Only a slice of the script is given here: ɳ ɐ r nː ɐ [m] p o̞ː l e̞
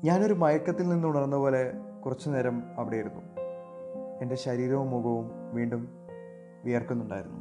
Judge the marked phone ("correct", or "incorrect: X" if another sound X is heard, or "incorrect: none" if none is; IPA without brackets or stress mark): incorrect: none